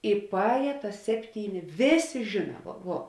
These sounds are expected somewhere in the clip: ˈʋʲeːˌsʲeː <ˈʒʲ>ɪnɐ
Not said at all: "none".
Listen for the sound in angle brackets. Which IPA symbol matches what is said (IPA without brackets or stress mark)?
ʒʲ